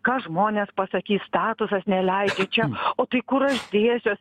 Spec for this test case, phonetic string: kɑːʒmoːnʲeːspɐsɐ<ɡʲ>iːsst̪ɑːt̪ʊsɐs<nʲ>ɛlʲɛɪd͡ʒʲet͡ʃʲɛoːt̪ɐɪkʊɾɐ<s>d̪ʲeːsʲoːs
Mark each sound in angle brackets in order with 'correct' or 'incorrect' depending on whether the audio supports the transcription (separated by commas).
incorrect, correct, incorrect